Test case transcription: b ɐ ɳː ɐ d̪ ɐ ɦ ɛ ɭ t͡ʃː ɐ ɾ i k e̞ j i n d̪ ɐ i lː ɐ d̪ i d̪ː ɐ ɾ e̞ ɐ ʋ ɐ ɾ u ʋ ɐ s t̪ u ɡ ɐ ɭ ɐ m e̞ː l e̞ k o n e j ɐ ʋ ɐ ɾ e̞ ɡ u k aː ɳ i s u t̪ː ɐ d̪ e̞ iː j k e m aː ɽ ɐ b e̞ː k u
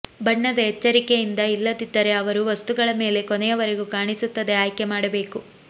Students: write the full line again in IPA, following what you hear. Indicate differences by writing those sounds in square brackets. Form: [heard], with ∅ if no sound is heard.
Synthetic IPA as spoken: b ɐ ɳː ɐ d̪ ɐ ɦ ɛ [∅] t͡ʃː ɐ ɾ i k e̞ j i n d̪ ɐ i lː ɐ d̪ i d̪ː ɐ ɾ e̞ ɐ ʋ ɐ ɾ u ʋ ɐ s t̪ u ɡ ɐ ɭ ɐ m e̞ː l e̞ k o n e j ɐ ʋ ɐ ɾ e̞ ɡ u k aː ɳ i s u t̪ː ɐ d̪ e̞ [aː] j k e m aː ɽ ɐ b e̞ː k u

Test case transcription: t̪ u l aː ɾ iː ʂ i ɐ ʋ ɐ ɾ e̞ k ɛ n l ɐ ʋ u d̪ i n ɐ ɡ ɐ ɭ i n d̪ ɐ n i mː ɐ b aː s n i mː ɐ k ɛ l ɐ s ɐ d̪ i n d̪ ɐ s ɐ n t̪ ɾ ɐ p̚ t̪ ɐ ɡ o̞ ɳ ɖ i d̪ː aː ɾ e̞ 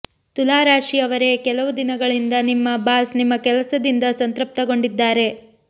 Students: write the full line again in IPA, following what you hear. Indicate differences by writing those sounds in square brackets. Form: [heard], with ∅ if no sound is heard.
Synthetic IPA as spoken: t̪ u l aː ɾ [aː] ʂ i ɐ ʋ ɐ ɾ e̞ k ɛ [∅] l ɐ ʋ u d̪ i n ɐ ɡ ɐ ɭ i n d̪ ɐ n i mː ɐ b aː s n i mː ɐ k ɛ l ɐ s ɐ d̪ i n d̪ ɐ s ɐ n t̪ ɾ ɐ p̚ t̪ ɐ ɡ o̞ ɳ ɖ i d̪ː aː ɾ e̞

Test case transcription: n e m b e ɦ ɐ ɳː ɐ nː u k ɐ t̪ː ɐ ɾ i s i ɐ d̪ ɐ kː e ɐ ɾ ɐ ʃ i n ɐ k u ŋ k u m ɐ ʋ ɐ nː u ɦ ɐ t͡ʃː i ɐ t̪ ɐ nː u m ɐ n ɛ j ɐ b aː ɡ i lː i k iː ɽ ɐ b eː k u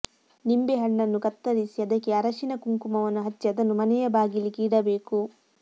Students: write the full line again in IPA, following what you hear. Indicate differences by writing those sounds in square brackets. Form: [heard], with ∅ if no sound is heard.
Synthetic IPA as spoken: n [i] m b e ɦ ɐ ɳː ɐ nː u k ɐ t̪ː ɐ ɾ i s i ɐ d̪ ɐ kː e ɐ ɾ ɐ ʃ i n ɐ k u ŋ k u m ɐ ʋ ɐ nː u ɦ ɐ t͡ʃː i ɐ [d̪] ɐ nː u m ɐ n ɛ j ɐ b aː ɡ i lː i k iː ɽ ɐ b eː k u

